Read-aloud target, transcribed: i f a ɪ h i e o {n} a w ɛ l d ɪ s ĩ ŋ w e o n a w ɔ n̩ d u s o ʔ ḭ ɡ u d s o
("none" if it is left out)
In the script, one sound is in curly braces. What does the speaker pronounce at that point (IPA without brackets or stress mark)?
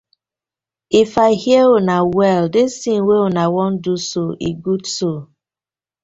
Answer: n